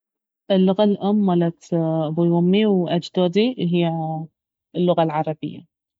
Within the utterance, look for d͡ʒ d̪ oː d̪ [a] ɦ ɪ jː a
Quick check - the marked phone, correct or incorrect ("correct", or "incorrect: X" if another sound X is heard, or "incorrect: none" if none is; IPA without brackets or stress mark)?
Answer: incorrect: i